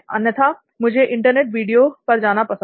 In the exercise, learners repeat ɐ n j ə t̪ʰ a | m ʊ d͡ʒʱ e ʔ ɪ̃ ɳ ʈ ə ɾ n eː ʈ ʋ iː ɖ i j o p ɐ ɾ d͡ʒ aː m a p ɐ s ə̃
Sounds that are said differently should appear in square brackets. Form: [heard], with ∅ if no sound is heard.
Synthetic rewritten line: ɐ n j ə t̪ʰ a | m ʊ d͡ʒʱ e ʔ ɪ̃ ɳ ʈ ə ɾ n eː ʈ ʋ iː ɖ i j o p ɐ ɾ d͡ʒ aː [n] a p ɐ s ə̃

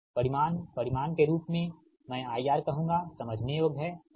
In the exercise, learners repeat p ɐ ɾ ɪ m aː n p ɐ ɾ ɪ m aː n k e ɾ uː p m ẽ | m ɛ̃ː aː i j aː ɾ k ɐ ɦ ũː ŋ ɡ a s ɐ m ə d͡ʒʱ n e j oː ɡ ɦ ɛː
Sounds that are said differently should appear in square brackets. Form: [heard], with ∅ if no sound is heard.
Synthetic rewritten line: p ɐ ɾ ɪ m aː n p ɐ ɾ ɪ m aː n k e ɾ uː p m ẽ | m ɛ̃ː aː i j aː ɾ k ɐ ɦ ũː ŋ ɡ a s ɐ m ə d͡ʒʱ n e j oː ɡ ɦ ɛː

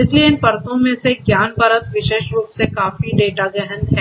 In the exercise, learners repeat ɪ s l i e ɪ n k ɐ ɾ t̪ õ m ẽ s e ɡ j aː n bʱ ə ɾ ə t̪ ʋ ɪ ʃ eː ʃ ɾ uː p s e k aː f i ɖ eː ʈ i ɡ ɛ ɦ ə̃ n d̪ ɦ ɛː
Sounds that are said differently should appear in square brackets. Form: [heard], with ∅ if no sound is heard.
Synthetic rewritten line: ɪ s l i e ɪ n [p] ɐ ɾ t̪ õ m ẽ s e ɡ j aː n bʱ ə ɾ ə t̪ ʋ ɪ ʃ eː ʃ ɾ uː p s e k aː f i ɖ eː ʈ [a] ɡ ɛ ɦ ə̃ n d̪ ɦ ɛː

